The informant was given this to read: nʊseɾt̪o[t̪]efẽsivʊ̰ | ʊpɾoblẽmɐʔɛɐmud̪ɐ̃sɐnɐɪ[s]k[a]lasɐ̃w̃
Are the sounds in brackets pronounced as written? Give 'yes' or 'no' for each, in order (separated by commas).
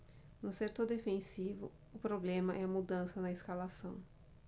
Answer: no, yes, yes